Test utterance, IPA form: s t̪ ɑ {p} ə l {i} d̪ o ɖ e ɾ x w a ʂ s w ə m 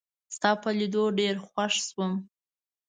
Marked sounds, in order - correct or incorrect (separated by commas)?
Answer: correct, correct